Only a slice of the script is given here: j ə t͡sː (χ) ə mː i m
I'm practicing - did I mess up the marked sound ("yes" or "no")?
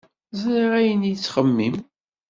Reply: no